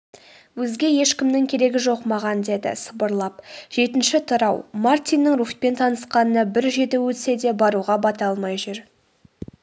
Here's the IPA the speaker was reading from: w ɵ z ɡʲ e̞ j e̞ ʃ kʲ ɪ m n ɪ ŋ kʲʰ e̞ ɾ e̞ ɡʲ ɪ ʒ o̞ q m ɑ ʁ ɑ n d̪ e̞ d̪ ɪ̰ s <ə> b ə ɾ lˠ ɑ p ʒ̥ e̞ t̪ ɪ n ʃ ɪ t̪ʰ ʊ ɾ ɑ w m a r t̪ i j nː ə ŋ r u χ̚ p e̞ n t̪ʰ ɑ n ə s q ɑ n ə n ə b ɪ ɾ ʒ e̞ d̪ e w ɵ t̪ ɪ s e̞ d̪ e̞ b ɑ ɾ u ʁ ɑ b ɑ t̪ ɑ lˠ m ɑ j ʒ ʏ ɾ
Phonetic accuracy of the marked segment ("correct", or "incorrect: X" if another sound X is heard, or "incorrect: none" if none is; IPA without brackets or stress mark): correct